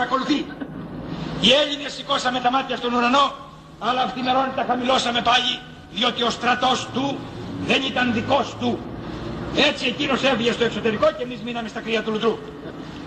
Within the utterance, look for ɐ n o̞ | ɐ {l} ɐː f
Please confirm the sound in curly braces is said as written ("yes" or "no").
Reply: yes